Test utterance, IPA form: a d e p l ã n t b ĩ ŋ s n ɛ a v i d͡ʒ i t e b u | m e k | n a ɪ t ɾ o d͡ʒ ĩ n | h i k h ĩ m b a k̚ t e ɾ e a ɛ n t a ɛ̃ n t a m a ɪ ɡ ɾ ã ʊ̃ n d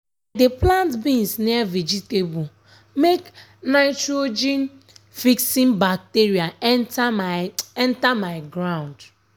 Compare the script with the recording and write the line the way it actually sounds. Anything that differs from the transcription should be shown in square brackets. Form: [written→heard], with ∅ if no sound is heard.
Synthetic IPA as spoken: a d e p l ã n t b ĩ [ŋ→n] s n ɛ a v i d͡ʒ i t e b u | m e k | n a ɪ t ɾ o d͡ʒ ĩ n | [h→f] i k [h→s] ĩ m b a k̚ t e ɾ [e→i] a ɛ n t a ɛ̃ n t a m a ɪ ɡ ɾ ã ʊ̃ n d